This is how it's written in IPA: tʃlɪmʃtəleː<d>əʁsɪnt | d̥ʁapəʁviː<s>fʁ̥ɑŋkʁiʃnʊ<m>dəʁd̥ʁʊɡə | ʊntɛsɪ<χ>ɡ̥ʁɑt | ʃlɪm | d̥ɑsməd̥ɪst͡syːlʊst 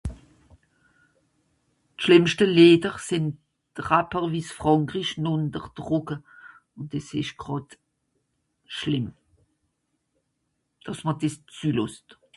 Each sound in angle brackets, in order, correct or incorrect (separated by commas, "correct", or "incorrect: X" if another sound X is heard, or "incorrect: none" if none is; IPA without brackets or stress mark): correct, correct, incorrect: n, incorrect: ʃ